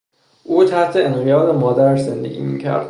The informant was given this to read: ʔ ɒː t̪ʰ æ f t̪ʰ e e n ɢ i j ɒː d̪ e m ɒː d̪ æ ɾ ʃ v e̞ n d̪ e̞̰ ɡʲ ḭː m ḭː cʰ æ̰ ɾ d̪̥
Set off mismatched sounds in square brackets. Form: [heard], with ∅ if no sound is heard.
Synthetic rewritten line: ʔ [uː] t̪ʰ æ [h] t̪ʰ e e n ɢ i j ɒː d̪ e m ɒː d̪ æ ɾ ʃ [z] e̞ n d̪ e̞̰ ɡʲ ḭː m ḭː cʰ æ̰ ɾ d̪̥